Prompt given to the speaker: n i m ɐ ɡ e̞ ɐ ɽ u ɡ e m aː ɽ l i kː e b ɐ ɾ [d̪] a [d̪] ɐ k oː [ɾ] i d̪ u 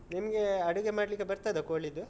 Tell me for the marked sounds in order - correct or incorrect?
incorrect, correct, incorrect

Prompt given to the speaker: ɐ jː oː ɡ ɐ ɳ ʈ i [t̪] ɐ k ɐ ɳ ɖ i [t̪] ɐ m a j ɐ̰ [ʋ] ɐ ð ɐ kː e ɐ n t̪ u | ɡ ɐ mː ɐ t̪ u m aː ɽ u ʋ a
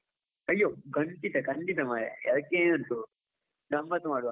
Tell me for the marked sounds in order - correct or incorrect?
correct, correct, incorrect

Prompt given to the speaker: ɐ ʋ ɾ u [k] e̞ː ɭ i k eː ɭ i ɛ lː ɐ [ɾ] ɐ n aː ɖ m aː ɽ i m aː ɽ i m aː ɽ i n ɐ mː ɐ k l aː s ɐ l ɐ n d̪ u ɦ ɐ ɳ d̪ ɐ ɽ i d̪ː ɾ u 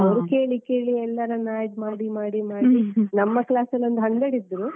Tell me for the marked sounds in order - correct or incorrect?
correct, correct

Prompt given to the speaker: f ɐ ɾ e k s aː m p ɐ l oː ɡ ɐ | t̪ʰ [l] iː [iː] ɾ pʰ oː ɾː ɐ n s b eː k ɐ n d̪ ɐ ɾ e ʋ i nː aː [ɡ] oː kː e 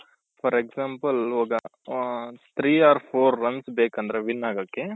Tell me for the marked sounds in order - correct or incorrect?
incorrect, incorrect, correct

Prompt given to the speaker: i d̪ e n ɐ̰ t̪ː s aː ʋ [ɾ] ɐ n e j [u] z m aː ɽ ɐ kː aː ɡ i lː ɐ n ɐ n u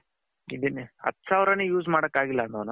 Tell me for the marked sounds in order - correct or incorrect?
correct, incorrect

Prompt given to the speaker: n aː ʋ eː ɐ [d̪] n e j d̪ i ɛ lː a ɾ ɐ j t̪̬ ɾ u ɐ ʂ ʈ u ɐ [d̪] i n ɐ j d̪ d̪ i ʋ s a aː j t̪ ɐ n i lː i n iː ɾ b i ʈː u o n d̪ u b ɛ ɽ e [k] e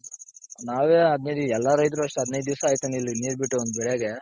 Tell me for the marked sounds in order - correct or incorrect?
correct, correct, incorrect

